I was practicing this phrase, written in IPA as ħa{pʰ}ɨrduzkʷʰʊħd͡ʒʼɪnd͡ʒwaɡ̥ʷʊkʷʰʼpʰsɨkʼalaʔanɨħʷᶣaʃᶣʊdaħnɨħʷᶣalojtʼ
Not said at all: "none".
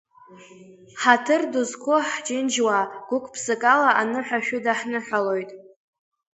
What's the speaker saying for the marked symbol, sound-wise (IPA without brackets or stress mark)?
tʰ